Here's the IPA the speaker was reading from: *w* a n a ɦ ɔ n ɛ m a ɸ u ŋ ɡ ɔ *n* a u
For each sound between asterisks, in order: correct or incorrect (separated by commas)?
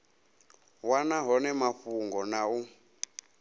correct, correct